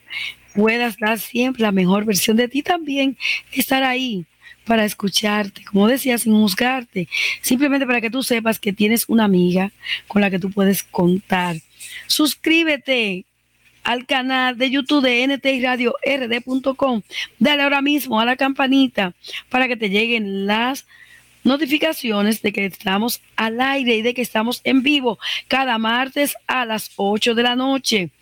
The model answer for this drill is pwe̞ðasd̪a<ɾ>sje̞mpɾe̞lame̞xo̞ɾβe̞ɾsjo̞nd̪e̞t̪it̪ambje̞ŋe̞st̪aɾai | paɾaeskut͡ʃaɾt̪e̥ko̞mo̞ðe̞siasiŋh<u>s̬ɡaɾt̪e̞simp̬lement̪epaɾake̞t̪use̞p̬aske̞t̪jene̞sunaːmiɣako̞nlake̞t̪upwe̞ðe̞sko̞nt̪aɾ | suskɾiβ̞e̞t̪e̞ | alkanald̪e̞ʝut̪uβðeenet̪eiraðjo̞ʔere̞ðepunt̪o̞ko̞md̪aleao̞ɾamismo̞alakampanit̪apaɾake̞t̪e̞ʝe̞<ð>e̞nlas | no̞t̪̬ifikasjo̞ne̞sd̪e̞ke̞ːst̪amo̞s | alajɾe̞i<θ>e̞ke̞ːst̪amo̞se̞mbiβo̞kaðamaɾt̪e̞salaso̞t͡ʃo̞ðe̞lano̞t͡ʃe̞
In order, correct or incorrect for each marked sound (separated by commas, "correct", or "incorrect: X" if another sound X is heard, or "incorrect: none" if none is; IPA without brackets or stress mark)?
correct, correct, incorrect: ɣ, incorrect: ð